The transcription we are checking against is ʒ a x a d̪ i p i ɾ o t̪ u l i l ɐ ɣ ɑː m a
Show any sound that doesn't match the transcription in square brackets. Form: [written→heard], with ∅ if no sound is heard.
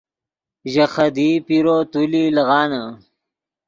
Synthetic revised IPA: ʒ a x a d̪ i p i ɾ o t̪ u l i l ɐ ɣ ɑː [m→n] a